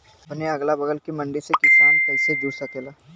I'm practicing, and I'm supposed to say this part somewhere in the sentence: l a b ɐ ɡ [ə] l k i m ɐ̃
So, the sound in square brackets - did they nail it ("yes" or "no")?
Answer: yes